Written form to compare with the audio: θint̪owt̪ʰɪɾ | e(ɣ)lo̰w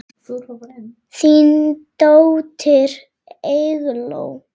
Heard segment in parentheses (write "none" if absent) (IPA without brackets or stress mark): ɣ